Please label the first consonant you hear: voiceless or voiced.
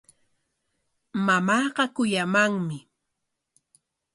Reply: voiced